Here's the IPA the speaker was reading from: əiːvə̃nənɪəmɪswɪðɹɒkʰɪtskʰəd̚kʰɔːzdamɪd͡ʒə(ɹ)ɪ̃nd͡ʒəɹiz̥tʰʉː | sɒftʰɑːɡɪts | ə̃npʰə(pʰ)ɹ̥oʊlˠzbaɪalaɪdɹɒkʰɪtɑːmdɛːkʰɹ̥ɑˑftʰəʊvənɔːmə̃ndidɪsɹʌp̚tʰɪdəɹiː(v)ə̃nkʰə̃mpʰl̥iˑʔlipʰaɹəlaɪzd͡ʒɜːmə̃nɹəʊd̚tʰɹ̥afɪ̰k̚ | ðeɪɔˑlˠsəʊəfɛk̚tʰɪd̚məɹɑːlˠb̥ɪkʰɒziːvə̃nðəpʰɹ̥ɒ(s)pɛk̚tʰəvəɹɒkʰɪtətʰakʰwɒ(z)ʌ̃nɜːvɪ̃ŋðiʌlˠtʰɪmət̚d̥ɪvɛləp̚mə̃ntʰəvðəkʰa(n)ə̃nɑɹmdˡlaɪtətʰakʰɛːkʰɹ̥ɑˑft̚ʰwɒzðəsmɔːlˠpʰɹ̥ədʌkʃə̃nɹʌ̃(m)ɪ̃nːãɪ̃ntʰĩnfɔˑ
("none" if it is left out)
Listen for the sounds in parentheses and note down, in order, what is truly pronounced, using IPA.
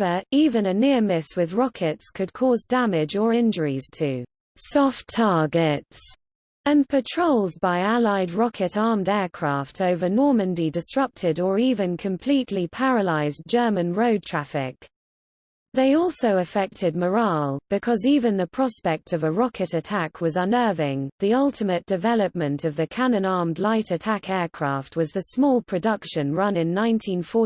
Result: ɹ, tʰ, v, s, z, n, n

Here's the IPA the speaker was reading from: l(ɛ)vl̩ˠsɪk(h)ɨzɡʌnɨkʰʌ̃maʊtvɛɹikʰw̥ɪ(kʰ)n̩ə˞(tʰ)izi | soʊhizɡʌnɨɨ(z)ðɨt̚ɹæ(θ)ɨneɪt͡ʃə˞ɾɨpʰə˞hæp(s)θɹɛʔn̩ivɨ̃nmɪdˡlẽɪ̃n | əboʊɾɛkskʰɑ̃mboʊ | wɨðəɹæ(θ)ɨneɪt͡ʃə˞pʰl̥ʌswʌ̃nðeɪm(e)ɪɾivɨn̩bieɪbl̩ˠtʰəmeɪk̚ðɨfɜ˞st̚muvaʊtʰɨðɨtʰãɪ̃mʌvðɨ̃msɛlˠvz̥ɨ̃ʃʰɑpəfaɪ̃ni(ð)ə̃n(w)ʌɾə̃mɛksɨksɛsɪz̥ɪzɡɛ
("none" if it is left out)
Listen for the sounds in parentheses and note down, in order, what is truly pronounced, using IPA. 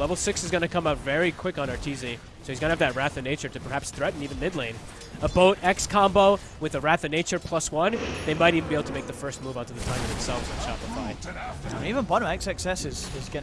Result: ɛ, s, k, tʰ, v, θ, s, θ, a, v, b

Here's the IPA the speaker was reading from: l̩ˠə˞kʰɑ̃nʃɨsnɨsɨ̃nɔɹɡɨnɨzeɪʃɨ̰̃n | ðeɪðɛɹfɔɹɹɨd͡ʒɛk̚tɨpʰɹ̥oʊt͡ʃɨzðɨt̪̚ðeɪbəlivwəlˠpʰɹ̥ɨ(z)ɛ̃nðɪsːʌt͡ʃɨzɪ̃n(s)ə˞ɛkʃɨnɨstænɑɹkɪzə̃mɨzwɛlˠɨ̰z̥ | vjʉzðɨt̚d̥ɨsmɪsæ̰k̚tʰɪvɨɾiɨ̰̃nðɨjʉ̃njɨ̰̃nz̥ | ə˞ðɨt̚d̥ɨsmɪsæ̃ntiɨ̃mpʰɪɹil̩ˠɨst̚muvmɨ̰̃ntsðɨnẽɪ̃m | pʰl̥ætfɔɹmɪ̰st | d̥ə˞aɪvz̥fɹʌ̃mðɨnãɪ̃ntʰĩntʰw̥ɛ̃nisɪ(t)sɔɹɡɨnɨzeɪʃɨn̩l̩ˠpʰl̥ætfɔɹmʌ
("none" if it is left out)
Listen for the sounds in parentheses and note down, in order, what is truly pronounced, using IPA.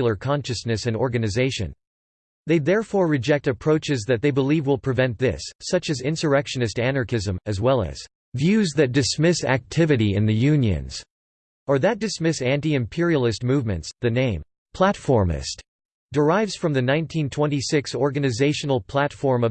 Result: v, s, k

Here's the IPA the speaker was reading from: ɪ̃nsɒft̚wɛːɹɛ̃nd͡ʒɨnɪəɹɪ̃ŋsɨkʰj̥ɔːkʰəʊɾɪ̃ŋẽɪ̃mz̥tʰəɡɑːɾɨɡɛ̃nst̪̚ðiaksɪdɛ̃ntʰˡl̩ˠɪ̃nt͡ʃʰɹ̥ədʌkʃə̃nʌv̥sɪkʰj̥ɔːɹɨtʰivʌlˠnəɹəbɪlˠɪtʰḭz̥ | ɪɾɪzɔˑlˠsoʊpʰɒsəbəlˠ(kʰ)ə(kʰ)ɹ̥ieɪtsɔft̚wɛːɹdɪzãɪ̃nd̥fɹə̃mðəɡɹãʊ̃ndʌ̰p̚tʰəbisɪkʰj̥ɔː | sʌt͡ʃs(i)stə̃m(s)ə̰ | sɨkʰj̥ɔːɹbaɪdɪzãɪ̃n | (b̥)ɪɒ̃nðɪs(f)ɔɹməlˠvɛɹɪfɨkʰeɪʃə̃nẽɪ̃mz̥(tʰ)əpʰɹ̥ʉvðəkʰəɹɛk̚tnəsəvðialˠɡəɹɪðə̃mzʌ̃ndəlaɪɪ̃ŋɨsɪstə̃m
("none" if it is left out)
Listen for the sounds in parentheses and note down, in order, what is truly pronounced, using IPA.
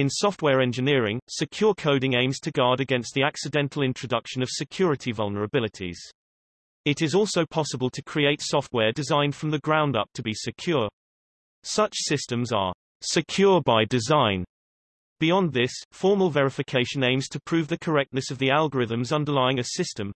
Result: tʰ, kʰ, ɪ, z, b̥, f, tʰ

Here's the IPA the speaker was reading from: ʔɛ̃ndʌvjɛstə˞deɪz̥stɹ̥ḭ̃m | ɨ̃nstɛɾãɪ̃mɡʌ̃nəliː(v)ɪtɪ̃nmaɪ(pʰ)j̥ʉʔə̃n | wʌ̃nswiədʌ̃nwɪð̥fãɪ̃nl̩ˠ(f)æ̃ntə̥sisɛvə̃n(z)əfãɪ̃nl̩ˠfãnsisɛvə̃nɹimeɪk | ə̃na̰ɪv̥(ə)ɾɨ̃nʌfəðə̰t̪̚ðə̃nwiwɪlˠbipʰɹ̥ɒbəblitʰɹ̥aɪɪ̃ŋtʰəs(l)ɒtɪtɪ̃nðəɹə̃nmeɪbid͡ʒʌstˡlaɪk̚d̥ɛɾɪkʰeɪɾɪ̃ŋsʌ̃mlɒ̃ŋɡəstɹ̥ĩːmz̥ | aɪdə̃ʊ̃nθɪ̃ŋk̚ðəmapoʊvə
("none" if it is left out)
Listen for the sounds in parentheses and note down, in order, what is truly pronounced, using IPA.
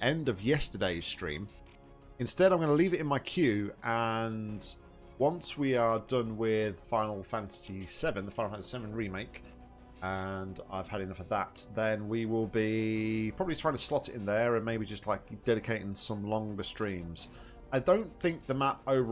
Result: v, kʰ, f, ð, ə, l

